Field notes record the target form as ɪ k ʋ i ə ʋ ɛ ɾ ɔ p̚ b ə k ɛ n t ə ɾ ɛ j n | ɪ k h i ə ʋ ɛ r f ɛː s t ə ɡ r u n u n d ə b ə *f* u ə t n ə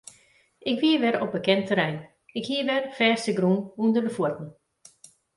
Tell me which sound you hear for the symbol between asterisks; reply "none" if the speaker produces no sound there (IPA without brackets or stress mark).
f